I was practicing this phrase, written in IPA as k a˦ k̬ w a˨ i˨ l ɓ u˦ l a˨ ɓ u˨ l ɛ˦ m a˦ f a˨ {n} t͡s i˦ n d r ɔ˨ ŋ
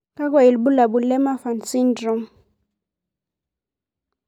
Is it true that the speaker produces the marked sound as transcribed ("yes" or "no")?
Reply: yes